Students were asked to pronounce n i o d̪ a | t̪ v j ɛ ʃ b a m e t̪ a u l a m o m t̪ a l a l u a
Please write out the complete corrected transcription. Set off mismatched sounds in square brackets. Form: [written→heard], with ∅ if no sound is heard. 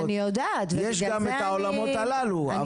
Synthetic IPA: n i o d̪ a | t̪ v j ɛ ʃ [b→ɡ] a m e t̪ a [u→o] l a m o [m→∅] t̪ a l a l u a

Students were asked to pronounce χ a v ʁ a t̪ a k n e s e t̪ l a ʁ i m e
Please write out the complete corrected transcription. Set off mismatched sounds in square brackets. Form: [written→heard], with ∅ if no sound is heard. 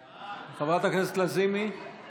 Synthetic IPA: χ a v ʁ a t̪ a k n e s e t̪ l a [ʁ→z] i m [e→i]

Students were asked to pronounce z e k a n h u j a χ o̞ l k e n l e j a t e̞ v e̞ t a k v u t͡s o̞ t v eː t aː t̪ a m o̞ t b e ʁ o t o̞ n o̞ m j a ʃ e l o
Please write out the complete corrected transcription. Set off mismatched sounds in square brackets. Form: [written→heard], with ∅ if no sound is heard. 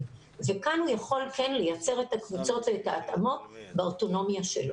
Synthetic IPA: [z→v] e k a n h u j a χ o̞ l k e n l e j a [t→t͡s] e̞ [v→ʁ] e̞ t a k v u t͡s o̞ t v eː t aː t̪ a m o̞ t b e [ʁ→∅] o t o̞ n o̞ m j a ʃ e l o

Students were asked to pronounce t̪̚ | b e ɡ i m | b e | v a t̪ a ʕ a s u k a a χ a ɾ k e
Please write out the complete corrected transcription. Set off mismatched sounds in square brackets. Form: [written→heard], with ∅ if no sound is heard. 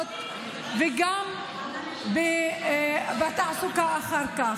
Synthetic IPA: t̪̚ | [b→v] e ɡ [i→a] m | b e | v a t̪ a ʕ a s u k a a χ a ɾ k [e→a]

